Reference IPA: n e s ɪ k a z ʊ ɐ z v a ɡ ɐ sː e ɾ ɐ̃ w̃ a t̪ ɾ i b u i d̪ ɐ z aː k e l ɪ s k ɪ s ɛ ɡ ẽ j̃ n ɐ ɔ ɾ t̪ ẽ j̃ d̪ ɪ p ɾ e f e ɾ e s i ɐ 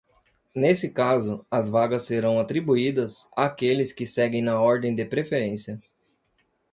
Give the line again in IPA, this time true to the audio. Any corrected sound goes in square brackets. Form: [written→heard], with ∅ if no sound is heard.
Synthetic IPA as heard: n e s ɪ k a z ʊ ɐ z v a ɡ ɐ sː e ɾ ɐ̃ w̃ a t̪ ɾ i b u i d̪ ɐ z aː k e l ɪ s k ɪ s ɛ ɡ ẽ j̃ n ɐ ɔ ɾ [t̪→d̪] ẽ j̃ d̪ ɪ p ɾ e f e ɾ [e→ẽ] s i ɐ